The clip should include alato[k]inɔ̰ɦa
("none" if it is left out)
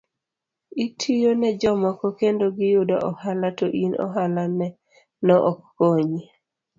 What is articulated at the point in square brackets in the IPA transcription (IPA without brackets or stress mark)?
ʔ